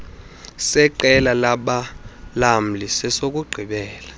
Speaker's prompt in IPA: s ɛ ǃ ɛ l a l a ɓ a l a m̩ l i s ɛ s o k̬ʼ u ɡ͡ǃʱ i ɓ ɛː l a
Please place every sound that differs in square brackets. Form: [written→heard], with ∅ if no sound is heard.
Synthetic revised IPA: s ɛ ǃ ɛ l a l a ɓ a l a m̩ l i s ɛ s o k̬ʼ u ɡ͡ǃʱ i ɓ ɛː l a